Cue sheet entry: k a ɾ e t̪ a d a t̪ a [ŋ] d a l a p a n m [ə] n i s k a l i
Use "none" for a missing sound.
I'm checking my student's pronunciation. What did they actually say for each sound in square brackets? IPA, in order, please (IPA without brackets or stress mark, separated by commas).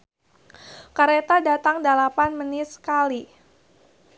ŋ, ə